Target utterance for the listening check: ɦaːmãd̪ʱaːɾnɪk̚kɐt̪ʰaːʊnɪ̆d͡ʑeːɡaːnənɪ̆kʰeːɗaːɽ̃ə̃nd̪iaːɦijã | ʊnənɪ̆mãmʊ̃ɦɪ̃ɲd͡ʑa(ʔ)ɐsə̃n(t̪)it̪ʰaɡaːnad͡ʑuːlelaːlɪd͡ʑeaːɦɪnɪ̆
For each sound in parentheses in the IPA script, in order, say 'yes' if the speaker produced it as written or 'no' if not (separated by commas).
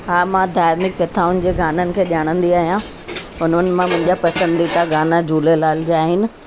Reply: no, no